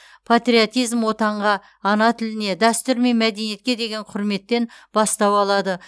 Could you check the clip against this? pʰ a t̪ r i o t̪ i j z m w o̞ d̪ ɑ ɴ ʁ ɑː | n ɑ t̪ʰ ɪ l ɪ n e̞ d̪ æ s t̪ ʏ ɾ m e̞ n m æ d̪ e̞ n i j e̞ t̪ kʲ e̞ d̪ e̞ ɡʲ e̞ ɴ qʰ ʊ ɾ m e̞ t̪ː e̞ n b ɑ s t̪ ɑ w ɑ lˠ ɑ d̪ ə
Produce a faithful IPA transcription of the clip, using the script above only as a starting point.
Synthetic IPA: pʰ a t̪ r i o t̪ i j z m w o̞ t̪ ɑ ɴ ʁ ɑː | n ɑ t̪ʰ ɪ l ɪ n e̞ d̪ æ s t̪ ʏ ɾ m e̞ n m æ d̪ e̞ n i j e̞ t̪ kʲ e̞ d̪ e̞ ɡʲ e̞ ɴ qʰ ʊ ɾ m e̞ t̪ː e̞ n b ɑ s t̪ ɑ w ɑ lˠ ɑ d̪ ə